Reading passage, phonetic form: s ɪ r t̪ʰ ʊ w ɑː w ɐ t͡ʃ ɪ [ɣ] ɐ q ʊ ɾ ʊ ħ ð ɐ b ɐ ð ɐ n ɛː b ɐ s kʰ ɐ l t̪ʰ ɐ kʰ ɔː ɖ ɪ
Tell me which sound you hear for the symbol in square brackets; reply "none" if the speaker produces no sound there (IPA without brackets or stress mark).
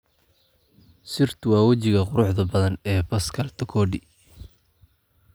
ɣ